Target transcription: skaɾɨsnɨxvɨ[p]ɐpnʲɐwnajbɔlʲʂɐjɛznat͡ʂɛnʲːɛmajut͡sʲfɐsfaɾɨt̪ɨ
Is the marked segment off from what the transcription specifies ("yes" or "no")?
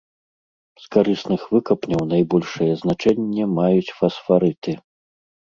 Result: yes